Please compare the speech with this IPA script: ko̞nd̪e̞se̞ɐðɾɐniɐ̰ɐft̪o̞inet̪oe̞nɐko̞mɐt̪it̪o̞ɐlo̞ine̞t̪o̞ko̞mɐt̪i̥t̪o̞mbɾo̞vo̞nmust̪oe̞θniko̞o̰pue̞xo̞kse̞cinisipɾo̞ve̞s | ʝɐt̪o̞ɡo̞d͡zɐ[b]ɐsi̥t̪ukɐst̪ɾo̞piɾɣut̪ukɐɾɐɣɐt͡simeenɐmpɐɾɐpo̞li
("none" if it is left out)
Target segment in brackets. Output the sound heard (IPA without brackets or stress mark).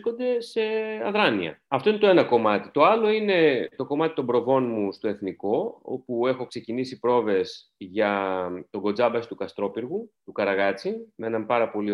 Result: b